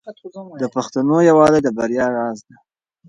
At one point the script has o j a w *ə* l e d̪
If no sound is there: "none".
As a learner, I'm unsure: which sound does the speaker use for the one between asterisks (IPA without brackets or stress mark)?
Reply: ɑ